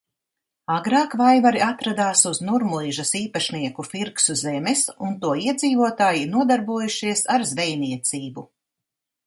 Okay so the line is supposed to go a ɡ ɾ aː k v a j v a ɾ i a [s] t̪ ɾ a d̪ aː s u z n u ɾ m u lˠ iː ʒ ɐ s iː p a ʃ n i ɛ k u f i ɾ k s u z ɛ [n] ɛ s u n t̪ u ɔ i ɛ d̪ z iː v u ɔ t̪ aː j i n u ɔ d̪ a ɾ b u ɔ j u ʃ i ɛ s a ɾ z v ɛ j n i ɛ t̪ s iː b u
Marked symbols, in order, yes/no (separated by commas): no, no